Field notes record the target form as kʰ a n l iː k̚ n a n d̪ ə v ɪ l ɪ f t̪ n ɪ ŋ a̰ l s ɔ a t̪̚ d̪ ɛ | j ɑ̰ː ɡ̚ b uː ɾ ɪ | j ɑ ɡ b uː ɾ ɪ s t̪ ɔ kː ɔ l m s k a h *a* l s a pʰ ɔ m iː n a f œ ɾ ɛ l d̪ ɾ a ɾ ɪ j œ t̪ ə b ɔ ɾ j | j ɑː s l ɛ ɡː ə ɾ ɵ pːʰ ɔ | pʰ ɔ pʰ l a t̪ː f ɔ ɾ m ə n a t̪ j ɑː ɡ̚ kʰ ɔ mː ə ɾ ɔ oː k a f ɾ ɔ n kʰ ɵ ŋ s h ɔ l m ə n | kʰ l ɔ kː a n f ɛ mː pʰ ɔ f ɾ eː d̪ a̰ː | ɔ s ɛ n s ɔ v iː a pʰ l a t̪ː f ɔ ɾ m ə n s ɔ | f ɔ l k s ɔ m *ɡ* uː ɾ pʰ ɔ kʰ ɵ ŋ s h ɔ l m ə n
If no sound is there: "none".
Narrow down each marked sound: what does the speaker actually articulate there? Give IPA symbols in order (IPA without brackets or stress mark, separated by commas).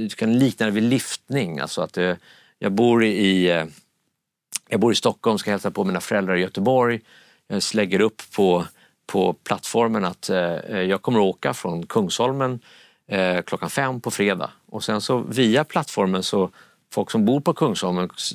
ɛ, b